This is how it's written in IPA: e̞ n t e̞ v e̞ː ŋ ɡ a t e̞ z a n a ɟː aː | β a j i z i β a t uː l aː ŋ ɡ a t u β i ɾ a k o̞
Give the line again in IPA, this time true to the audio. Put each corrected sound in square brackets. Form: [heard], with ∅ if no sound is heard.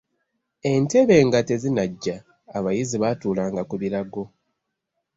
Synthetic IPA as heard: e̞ n t e̞ [β] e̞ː ŋ ɡ a t e̞ z [i] n a ɟː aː | β a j i z i β a t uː l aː ŋ ɡ a [k] u β i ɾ a [ɡ] o̞